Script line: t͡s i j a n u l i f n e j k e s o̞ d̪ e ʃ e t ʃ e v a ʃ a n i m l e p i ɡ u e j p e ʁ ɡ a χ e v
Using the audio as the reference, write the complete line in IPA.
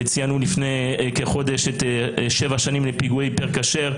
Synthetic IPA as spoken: t͡s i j a n u l i f n e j k e χ o̞ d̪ e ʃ e t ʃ e v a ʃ a n i m l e p i ɡ u e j p e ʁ k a ʃ e ʁ